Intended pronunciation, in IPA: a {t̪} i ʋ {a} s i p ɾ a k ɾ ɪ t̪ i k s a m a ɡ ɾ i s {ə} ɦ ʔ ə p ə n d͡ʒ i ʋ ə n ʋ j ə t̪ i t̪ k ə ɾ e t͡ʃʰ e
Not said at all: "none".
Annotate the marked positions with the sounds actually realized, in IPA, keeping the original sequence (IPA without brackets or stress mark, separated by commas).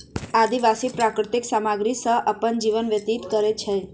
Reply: d̪, a, ə